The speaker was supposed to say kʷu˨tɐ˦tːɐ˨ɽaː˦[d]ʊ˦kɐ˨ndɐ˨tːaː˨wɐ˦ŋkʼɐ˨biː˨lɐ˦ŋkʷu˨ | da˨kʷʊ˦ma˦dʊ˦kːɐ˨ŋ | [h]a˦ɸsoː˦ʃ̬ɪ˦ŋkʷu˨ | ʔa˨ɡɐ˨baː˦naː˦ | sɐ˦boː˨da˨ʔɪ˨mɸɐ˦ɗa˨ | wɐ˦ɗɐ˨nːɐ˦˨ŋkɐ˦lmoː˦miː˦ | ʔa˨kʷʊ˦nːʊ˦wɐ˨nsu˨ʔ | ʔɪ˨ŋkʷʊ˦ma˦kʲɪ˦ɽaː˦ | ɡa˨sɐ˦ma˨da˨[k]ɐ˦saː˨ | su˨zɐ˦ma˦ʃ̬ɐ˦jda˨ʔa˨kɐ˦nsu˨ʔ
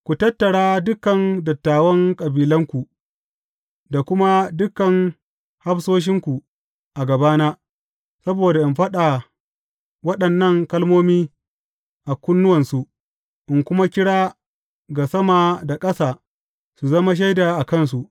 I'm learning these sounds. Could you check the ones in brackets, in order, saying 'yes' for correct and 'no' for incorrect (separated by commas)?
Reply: yes, yes, no